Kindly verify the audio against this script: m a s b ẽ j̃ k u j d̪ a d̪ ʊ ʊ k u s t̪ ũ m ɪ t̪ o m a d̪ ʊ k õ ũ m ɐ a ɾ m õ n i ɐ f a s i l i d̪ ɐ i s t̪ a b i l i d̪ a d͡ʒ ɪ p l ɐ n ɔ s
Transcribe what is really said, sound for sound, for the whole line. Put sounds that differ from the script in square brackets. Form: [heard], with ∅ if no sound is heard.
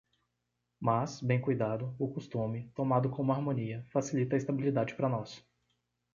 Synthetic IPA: m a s b ẽ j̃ k u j d̪ a d̪ ʊ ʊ k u s t̪ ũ m ɪ t̪ o m a d̪ ʊ k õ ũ m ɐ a ɾ m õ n i ɐ f a s i l i [t̪] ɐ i s t̪ a b i l i d̪ a d͡ʒ ɪ p [ɾ] ɐ n ɔ s